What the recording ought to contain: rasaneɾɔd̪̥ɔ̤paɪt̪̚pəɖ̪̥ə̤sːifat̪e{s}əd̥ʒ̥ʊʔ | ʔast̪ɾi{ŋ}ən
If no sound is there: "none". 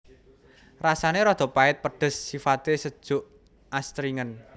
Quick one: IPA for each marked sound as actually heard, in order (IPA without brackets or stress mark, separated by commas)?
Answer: s, ŋ